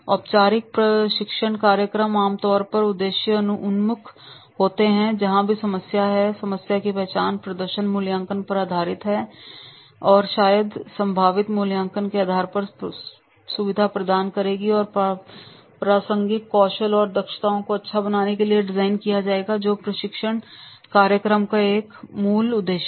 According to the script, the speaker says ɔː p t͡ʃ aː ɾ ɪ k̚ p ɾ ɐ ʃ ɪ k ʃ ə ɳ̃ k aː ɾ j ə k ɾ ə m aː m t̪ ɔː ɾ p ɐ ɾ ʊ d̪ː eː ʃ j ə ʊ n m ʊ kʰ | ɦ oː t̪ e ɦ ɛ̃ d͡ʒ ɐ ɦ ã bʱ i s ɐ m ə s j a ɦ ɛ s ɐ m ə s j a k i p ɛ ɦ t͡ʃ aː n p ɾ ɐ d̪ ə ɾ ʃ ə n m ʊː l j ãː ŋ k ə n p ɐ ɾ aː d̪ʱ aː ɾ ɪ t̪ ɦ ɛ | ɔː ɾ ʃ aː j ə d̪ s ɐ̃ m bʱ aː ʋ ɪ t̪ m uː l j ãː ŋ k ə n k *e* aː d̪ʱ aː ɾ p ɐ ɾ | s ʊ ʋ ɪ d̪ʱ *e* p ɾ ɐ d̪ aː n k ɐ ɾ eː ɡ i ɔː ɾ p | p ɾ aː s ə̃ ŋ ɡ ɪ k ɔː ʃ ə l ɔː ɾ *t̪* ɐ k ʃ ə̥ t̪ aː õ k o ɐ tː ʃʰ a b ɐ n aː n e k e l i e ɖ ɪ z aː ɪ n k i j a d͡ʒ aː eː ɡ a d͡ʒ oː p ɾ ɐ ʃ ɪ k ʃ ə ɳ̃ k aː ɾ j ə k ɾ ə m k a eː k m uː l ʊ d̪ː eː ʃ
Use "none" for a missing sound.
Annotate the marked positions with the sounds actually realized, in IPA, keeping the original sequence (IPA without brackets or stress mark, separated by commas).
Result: e, a, d̪